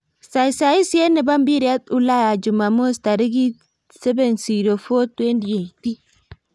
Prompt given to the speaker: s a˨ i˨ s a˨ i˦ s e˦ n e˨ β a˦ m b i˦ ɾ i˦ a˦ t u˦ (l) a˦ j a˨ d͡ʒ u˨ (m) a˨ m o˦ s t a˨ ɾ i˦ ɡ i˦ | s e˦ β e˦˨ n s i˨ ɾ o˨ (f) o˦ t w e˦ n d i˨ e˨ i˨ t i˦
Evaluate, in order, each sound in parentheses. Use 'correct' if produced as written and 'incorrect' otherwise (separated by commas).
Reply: correct, correct, correct